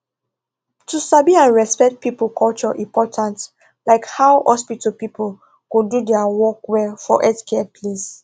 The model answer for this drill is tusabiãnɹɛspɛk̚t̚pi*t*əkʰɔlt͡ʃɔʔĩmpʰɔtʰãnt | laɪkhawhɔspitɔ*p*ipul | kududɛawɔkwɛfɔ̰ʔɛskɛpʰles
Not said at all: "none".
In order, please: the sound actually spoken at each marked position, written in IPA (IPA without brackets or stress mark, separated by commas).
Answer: p, p